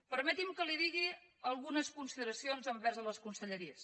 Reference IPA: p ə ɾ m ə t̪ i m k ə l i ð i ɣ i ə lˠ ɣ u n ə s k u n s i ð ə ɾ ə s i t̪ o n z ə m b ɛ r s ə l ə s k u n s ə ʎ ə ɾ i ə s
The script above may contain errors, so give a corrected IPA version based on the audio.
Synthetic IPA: p ə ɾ m ə t̪ i m k ə l i ð i ɣ i ə lˠ ɣ u n ə s k u n s i ð ə ɾ ə s i o n z ə m b ɛ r z ə l ə s k u n s ə ʎ ə ɾ i ə s

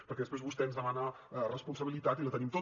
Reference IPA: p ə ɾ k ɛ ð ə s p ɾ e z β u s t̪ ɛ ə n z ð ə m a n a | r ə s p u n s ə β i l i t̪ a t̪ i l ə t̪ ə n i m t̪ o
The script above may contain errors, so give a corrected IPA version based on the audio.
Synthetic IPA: p ə ɾ k ɛ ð ə s p ɾ e z β u s t̪ ɛ ə n z ð ə m a n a | r ə s p u n s ə β i l i t̪ a t̪ i l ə t̪ ə n i m t̪ o

